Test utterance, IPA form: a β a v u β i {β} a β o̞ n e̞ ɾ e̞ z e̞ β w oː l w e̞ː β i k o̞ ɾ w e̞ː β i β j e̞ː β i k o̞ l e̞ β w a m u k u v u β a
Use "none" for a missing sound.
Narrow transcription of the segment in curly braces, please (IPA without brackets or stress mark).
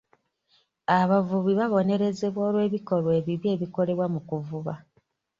β